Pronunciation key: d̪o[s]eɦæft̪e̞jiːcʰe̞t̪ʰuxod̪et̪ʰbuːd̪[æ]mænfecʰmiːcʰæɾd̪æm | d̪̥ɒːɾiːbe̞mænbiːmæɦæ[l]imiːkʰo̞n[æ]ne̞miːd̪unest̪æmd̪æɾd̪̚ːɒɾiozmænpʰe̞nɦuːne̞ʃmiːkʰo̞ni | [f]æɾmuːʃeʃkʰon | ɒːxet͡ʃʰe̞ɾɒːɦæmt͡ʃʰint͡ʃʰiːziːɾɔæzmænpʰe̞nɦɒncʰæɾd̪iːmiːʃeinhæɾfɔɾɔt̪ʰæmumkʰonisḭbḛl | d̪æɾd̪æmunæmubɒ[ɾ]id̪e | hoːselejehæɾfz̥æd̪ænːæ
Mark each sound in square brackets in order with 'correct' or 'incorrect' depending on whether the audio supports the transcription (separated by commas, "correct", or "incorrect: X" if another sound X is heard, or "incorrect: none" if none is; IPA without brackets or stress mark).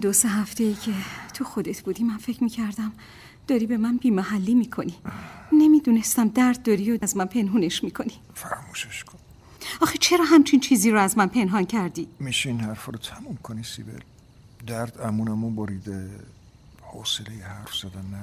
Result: correct, incorrect: i, incorrect: lː, incorrect: i, correct, correct